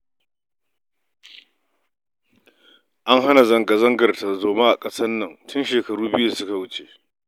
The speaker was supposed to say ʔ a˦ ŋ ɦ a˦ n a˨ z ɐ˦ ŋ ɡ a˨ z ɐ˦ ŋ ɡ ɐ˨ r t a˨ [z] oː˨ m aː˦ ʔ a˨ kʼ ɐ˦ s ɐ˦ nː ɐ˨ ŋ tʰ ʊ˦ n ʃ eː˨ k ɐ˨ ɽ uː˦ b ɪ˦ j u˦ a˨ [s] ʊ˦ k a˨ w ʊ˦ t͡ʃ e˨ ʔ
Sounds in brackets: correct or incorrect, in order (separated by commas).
correct, correct